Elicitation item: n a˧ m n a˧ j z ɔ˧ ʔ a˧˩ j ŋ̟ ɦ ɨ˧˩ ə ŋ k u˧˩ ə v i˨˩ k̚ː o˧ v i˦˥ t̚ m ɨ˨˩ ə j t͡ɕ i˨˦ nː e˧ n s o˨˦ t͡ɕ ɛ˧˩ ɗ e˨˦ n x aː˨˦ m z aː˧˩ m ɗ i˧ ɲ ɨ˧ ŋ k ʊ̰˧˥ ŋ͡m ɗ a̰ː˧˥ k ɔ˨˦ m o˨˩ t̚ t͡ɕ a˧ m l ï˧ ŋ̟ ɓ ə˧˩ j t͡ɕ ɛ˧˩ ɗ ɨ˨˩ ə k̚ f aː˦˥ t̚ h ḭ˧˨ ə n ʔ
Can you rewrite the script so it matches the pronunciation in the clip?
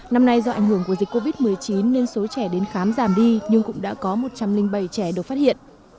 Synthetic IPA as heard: n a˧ m n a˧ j z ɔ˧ ʔ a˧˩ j ŋ̟ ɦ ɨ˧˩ ə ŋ k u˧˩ ə z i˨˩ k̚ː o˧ v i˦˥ t̚ m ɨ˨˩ ə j t͡ɕ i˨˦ nː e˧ n s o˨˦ t͡ɕ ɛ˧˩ ɗ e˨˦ n x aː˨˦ m z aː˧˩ m ɗ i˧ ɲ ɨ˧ ŋ k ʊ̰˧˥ ŋ͡m ɗ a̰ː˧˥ k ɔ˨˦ m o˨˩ t̚ t͡ɕ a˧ m l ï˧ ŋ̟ ɓ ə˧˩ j t͡ɕ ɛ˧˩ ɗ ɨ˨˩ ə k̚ f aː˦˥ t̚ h ḭ˧˨ ə n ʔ